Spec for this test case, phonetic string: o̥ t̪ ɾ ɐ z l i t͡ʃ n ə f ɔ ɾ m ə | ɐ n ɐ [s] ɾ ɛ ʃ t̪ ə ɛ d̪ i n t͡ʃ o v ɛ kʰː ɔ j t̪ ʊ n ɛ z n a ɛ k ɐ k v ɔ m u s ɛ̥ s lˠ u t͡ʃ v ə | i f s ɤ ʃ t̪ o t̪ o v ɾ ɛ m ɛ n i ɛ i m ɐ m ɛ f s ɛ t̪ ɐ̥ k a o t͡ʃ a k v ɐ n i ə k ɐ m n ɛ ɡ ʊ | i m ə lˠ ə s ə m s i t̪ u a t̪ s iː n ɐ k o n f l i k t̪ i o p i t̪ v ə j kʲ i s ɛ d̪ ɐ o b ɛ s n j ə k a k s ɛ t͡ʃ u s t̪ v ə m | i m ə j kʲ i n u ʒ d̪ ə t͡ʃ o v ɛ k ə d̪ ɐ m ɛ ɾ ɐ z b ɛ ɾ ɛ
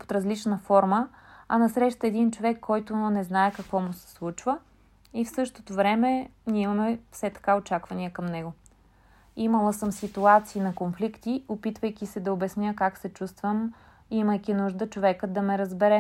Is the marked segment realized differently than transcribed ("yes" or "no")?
no